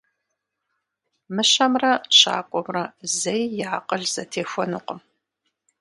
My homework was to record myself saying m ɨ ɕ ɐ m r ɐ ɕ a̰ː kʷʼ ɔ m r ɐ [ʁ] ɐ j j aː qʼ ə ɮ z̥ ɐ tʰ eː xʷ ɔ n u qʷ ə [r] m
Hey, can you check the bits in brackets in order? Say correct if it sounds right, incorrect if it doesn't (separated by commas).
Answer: incorrect, incorrect